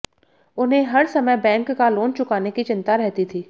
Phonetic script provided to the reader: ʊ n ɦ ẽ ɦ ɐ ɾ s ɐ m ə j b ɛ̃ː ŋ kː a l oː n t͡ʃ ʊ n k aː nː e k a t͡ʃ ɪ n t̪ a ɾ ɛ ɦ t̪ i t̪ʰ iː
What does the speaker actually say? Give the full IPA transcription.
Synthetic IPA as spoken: ʊ n ɦ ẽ ɦ ɐ ɾ s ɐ m ə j b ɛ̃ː ŋ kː a l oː n t͡ʃ ʊ k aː n e k i t͡ʃ ɪ n t̪ a ɾ ɛ ɦ t̪ i t̪ʰ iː

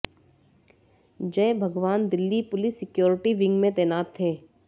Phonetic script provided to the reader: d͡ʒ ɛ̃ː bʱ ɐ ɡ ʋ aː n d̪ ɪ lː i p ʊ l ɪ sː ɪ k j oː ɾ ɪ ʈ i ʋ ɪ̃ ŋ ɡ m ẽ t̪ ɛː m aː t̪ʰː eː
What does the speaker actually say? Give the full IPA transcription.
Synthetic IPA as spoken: d͡ʒ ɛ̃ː bʱ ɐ ɡ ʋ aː n d̪ ɪ lː i p ʊ l ɪ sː ɪ k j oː ɾ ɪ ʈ i ʋ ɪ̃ ŋ ɡ m ẽ t̪ ɛː n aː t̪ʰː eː

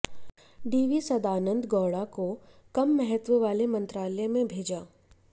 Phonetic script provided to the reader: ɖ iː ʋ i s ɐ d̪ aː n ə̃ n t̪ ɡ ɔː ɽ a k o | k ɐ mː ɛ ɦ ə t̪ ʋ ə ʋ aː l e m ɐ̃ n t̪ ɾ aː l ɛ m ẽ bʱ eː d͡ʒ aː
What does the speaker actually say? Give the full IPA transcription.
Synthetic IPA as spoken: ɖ iː ʋ i s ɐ d̪ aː n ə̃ n d̪ ɡ ɔː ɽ a k o | k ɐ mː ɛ ɦ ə t̪ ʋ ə ʋ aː l e m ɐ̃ n t̪ ɾ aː l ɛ m ẽ bʱ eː d͡ʒ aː

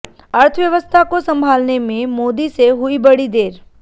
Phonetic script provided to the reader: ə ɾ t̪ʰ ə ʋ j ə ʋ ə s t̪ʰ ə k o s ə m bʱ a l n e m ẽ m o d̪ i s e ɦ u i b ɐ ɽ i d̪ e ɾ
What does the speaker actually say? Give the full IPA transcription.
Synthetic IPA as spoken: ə ɾ t̪ʰ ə ʋ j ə ʋ ə s t̪ʰ a k o s ə m bʱ a l n e m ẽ m o d̪ i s e ɦ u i b ə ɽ i d̪ e ɾ

